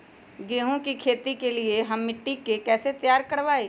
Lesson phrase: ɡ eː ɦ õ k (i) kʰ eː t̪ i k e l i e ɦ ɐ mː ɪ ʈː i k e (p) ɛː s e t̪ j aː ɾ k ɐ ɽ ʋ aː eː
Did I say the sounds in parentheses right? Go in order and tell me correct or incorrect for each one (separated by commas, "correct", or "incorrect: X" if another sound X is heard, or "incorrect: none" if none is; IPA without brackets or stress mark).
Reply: correct, incorrect: k